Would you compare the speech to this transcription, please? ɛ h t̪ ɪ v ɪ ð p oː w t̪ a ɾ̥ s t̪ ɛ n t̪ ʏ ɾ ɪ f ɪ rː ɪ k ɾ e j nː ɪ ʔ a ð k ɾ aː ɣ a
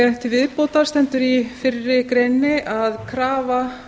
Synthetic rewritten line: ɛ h t̪ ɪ v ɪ ð p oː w t̪ a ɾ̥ s t̪ ɛ n t̪ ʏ ɾ i f ɪ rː ɪ k ɾ e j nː ɪ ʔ a ð kʰ ɾ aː v a